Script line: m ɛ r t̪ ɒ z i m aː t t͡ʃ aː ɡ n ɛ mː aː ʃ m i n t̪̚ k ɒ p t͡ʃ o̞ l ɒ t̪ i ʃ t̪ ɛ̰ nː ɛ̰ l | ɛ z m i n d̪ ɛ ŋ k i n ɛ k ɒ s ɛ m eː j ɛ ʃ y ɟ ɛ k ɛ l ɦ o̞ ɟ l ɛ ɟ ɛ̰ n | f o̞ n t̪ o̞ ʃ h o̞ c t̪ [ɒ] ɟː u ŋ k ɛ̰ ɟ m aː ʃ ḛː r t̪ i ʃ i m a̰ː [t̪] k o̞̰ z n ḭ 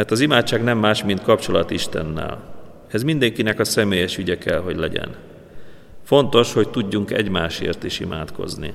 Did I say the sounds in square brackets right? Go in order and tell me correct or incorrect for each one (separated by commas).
incorrect, correct